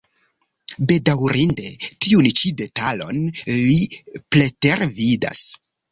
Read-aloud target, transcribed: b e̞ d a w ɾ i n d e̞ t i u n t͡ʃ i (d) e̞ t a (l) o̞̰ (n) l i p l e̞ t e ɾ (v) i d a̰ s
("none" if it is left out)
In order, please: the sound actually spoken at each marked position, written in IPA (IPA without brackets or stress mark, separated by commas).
d, l, n, v